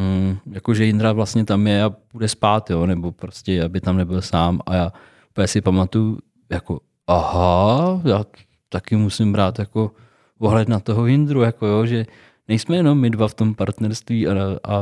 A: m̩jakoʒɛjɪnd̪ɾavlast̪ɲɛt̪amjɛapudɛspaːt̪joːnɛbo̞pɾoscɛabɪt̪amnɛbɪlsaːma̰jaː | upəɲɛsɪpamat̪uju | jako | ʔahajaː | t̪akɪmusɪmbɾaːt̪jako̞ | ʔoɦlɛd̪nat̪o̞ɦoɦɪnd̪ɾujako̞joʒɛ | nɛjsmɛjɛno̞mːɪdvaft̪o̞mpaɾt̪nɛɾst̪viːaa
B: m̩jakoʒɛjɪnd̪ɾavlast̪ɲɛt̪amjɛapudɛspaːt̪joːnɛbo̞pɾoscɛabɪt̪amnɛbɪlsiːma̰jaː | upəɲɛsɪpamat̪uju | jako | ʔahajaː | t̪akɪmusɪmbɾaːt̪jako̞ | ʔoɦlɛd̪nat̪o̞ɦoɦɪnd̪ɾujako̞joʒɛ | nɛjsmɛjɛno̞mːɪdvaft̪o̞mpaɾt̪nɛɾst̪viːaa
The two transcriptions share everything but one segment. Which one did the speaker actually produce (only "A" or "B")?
A